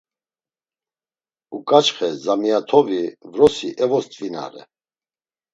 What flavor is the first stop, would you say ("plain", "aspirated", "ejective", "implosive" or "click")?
ejective